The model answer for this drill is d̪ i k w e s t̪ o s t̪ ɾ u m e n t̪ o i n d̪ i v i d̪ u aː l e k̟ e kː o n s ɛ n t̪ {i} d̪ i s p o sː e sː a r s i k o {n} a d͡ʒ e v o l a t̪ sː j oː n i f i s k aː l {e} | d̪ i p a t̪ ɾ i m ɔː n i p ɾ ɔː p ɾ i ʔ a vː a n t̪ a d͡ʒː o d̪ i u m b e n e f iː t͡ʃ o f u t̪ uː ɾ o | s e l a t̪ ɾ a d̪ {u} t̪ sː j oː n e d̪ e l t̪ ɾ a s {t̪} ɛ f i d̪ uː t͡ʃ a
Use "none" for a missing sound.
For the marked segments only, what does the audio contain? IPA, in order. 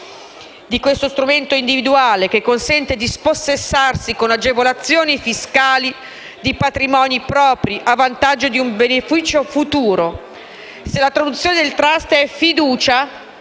e, n, i, u, t̪

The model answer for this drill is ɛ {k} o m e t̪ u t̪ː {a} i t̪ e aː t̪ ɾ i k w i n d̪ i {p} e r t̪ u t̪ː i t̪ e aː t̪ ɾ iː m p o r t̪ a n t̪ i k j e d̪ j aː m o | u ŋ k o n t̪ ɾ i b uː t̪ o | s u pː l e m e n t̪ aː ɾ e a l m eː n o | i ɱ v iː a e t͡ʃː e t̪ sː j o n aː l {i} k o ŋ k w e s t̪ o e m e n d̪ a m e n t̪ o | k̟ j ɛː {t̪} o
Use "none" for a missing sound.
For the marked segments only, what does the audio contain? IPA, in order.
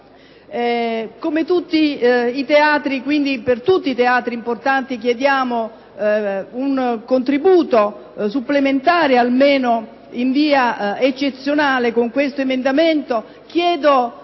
k, i, p, e, d̪

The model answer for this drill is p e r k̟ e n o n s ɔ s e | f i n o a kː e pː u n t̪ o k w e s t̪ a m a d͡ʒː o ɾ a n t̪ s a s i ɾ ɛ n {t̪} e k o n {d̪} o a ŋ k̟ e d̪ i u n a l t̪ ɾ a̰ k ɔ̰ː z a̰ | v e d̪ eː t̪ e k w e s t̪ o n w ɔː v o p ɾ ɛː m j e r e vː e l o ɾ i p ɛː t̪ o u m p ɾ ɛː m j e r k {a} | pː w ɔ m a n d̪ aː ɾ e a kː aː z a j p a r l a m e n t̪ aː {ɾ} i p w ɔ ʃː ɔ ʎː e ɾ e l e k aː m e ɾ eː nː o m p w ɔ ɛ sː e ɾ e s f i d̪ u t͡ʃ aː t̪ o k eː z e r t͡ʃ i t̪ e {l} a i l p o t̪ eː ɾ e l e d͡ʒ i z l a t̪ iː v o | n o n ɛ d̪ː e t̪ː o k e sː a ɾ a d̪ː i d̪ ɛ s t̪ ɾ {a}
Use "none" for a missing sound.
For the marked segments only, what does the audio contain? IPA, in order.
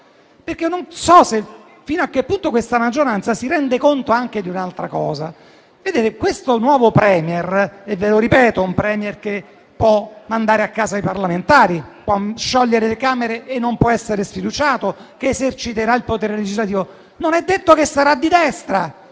d̪, t̪, e, ɾ, ɾ, a

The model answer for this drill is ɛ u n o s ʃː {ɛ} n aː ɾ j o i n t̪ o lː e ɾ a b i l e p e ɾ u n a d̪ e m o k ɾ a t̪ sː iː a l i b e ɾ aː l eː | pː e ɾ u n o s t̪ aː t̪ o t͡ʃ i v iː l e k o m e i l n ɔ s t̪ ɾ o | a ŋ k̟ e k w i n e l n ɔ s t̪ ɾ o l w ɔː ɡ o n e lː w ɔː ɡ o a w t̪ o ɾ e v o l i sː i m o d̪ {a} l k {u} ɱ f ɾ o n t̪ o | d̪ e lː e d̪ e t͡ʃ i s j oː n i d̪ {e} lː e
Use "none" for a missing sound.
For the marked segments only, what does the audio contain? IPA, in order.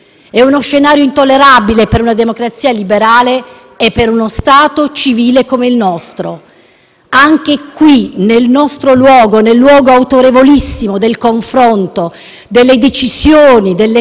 e, e, o, e

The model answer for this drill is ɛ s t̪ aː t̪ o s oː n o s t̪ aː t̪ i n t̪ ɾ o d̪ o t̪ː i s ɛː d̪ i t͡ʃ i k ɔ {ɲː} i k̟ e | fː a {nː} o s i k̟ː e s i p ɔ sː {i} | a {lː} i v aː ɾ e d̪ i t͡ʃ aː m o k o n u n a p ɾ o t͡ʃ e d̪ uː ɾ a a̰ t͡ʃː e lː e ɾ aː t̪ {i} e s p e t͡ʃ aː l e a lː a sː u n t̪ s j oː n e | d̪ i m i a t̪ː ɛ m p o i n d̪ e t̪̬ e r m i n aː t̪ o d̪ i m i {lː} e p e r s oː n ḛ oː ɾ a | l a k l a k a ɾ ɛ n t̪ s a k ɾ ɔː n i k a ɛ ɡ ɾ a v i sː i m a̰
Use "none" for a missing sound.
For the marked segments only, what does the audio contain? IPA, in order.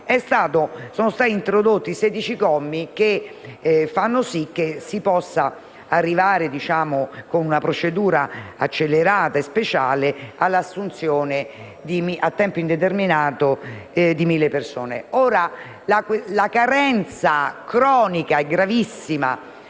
mː, nː, a, rː, a, lː

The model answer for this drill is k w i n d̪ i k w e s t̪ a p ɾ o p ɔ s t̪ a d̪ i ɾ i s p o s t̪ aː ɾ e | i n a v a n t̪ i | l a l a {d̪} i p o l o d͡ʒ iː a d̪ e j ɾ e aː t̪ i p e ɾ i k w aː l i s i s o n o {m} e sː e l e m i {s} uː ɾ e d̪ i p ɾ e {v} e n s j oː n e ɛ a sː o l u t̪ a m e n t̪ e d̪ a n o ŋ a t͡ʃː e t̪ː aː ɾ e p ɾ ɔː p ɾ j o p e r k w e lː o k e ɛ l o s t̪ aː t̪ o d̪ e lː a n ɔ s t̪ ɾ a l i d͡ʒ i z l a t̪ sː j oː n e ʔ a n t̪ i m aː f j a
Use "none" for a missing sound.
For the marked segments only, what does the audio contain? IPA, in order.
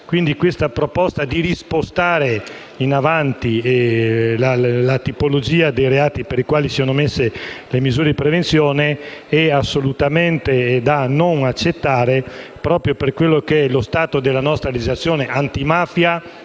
t̪, m, z, v

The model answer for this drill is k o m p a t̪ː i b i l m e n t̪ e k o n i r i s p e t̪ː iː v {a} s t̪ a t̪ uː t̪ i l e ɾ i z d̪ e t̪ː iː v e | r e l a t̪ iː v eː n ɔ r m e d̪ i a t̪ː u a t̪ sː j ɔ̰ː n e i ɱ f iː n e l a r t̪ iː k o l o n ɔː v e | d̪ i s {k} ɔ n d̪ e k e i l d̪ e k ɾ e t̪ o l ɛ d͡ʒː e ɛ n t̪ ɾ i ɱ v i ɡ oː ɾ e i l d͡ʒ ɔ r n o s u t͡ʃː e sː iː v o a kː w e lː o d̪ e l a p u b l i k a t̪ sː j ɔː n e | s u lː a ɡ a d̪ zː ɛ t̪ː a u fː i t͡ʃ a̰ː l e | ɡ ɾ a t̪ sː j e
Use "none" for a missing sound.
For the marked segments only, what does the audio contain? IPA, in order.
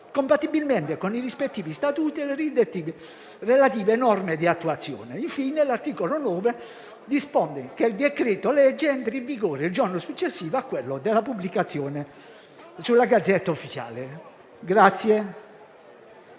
i, p

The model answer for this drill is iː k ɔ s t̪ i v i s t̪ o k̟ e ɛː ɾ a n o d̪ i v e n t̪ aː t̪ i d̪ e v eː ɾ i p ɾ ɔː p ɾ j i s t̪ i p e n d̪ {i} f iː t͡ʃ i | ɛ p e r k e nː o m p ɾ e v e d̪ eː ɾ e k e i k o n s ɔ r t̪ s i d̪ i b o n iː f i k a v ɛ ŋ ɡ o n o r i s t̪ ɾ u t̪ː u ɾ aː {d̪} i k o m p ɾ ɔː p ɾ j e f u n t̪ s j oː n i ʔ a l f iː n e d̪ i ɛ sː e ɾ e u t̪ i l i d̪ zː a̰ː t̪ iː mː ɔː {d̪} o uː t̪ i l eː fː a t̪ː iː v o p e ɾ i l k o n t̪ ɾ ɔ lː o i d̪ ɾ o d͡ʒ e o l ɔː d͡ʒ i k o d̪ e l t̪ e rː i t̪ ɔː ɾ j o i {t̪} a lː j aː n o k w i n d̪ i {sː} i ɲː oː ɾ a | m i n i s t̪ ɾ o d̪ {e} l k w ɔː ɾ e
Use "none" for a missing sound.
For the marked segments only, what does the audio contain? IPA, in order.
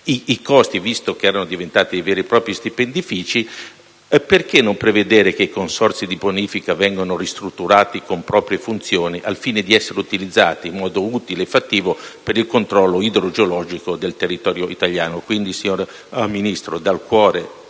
i, t̪, d̪, t̪, s, a

